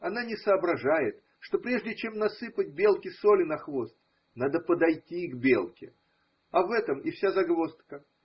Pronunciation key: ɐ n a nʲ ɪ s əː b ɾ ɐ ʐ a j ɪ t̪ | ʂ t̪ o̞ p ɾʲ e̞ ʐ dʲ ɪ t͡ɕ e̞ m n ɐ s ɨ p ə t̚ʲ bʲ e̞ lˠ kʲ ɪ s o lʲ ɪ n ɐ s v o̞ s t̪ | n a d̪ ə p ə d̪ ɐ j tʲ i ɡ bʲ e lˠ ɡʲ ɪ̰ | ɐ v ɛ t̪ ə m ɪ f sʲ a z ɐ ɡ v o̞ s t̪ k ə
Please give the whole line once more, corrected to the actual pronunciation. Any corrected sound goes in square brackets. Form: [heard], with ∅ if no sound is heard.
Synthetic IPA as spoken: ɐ n a nʲ ɪ s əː b ɾ ɐ ʐ a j ɪ t̪ | ʂ t̪ o̞ p ɾʲ e̞ ʐ dʲ ɪ t͡ɕ e̞ m n ɐ s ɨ p ə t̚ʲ bʲ e̞ lˠ kʲ ɪ s o lʲ ɪ n ɐ [x] v o̞ s t̪ | n a d̪ ə p ə d̪ ɐ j tʲ i ɡ bʲ e lˠ [kʲ] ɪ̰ | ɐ v ɛ t̪ ə m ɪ f sʲ a z ɐ ɡ v o̞ s t̪ k ə